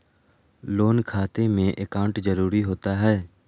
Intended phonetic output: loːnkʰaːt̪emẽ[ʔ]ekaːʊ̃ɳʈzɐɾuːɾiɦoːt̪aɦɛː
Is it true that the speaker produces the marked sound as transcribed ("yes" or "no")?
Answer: yes